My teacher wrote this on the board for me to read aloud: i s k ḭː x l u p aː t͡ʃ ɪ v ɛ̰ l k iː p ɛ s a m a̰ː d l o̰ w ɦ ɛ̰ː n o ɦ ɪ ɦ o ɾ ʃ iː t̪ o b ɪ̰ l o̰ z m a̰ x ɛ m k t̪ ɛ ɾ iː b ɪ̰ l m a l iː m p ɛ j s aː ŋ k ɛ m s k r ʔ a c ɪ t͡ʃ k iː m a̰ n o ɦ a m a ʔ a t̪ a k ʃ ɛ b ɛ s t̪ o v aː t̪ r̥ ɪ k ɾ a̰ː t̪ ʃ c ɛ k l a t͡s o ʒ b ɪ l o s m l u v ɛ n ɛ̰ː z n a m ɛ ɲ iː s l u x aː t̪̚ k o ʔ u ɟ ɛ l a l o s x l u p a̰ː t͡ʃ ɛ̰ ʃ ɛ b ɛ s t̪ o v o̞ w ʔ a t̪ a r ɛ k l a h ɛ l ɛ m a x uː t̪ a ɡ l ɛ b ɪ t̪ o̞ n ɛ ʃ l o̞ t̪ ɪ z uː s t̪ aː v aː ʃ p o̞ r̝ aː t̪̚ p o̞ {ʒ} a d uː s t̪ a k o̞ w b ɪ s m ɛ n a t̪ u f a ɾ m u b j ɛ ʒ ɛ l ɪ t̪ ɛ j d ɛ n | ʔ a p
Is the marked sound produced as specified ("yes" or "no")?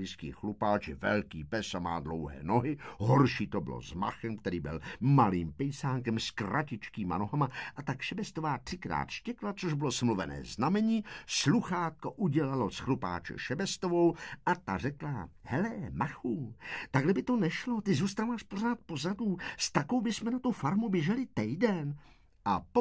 no